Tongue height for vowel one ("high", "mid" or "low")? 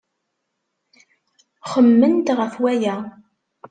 mid